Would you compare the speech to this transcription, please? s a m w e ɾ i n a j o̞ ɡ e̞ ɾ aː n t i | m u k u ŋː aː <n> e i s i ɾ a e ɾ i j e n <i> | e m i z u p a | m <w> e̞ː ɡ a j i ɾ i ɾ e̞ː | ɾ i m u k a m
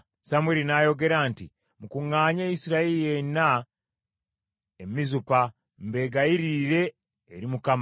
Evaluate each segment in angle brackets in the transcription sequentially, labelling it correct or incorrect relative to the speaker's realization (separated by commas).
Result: incorrect, incorrect, incorrect